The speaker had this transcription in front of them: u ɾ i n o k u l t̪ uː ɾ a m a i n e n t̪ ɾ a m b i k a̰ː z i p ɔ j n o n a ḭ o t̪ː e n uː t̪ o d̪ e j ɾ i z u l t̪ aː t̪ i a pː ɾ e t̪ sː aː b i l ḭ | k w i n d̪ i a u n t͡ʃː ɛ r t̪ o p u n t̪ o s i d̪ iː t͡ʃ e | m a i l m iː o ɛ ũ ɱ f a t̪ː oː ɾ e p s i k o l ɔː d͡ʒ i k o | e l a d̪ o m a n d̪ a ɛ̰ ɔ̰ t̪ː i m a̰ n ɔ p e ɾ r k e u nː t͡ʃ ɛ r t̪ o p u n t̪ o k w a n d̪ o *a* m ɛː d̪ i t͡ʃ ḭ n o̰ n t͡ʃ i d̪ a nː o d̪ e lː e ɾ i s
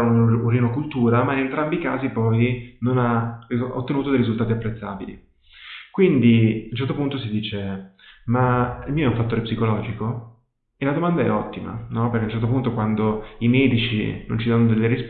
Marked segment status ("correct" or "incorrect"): incorrect